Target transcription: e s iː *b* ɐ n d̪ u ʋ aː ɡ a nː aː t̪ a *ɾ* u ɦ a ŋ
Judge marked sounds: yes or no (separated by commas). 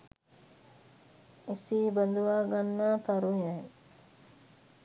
yes, yes